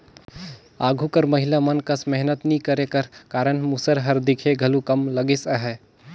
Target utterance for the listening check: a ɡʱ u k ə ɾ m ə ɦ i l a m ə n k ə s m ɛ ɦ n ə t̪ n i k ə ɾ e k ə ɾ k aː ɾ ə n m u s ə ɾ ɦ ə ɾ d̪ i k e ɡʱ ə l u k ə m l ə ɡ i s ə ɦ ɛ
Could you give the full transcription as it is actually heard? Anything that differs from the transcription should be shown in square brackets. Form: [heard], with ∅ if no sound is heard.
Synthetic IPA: a ɡʱ u k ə ɾ m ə ɦ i l a m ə n k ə s m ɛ ɦ n ə t̪ n i k ə ɾ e k ə ɾ k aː ɾ ə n m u s ə ɾ ɦ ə ɾ d̪ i [kʰ] e ɡʱ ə l u k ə m l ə ɡ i s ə ɦ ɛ